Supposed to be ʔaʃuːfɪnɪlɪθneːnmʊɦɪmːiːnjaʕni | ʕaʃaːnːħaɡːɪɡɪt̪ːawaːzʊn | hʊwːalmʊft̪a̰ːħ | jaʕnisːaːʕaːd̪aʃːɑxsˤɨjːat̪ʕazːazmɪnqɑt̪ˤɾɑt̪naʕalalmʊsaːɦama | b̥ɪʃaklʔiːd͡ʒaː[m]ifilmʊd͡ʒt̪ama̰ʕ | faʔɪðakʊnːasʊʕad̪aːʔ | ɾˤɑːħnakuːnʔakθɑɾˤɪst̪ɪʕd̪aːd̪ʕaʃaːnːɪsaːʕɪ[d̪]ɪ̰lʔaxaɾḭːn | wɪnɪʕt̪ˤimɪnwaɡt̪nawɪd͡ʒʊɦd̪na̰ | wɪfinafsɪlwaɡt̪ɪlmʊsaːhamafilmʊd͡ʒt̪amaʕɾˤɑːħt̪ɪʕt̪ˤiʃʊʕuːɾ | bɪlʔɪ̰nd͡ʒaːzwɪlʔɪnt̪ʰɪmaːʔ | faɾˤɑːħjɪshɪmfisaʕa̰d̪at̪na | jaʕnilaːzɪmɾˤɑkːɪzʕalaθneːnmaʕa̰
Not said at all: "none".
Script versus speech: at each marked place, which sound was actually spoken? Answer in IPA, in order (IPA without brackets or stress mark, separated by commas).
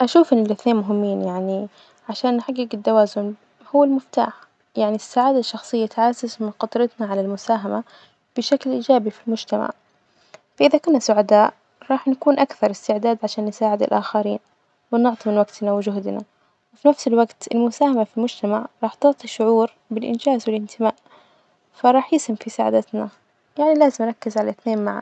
b, d̪